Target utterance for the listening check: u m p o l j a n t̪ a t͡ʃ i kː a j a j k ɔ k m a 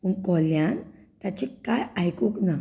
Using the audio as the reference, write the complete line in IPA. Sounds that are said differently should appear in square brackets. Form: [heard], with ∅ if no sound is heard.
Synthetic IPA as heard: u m [k] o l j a n t̪ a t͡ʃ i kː a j a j k [u] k [n] a

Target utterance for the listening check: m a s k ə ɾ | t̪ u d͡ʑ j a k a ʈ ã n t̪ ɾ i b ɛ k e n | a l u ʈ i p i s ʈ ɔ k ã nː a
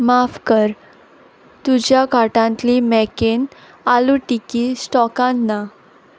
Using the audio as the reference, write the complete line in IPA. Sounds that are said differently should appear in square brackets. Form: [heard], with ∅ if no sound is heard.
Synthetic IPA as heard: m a [f] k ə ɾ | t̪ u d͡ʑ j a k a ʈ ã n t̪ [l] i [m] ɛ k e n | a l u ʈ i [k] i s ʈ ɔ k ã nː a

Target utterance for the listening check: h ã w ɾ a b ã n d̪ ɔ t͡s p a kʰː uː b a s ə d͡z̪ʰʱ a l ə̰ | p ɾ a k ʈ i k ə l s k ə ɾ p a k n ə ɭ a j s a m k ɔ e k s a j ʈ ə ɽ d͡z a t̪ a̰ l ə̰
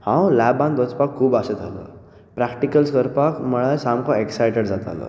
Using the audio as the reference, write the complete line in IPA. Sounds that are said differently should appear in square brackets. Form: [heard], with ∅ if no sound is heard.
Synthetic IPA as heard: h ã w [l] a b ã n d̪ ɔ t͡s p a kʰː uː b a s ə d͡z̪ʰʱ a l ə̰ | p ɾ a k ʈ i k ə l s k ə ɾ p a k [m] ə ɭ a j s a m k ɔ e k s a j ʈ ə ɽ d͡z a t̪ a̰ l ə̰

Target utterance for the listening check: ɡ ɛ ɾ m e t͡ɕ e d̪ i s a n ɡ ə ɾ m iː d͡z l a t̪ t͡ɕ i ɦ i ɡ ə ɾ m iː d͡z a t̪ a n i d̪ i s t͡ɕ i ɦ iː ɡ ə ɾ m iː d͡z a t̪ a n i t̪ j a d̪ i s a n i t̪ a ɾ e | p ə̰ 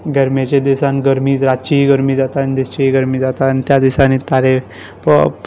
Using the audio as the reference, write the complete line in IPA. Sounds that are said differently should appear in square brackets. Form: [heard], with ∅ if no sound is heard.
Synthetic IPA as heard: ɡ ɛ ɾ m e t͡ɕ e d̪ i s a n ɡ ə ɾ m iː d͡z [ɾ] a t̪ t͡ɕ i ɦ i ɡ ə ɾ m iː d͡z a t̪ a n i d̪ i s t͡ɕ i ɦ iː ɡ ə ɾ m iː d͡z a t̪ a n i t̪ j a d̪ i s a n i t̪ a ɾ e | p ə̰

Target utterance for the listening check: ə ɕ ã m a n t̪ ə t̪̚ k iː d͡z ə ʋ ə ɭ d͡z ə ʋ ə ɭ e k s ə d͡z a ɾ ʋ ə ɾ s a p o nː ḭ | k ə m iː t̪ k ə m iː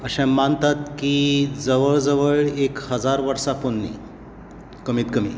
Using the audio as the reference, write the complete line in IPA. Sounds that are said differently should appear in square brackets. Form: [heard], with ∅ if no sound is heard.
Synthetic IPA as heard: ə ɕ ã m a n t̪ [a] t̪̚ k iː d͡z ə ʋ ə ɭ d͡z ə ʋ ə ɭ e k [h] ə d͡z a ɾ ʋ ə ɾ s a p o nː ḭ | k ə m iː t̪ k ə m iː

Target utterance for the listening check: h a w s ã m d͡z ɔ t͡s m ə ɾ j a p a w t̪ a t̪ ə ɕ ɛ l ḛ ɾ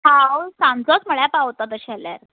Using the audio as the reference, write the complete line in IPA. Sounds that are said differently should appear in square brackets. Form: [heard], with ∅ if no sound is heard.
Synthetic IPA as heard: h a w s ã m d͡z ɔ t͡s m ə [ɭ] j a p a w t̪ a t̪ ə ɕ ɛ l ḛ ɾ

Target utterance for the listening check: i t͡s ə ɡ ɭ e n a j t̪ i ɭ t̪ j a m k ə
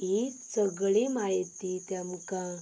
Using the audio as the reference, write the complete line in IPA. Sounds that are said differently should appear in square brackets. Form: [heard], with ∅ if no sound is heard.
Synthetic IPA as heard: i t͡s ə ɡ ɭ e [m] a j t̪ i [∅] t̪ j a m k [a]

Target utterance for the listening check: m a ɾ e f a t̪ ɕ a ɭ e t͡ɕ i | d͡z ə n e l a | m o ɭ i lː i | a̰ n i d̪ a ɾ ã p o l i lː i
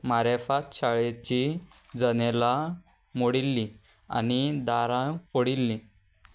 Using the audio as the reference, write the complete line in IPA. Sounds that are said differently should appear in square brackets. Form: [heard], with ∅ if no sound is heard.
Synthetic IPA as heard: m a ɾ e f a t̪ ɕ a ɭ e t͡ɕ i | d͡z ə n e l a | m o [ɽ] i lː i | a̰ n i d̪ a ɾ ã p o [ɽ] i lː i

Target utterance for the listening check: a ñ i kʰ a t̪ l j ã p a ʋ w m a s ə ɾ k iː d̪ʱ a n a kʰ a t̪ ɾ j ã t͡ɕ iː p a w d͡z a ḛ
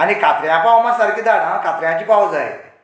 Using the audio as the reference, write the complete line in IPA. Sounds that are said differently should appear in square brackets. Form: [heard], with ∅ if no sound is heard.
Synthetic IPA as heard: a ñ i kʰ a t̪ [ɾ] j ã p a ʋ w m a s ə ɾ k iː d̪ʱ a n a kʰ a t̪ ɾ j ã t͡ɕ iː p a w d͡z a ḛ

